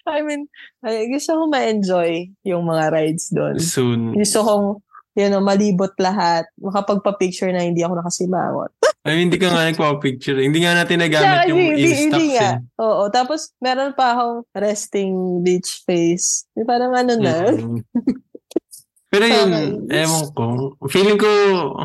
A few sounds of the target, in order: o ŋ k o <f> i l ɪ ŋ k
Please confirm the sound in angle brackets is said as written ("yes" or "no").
yes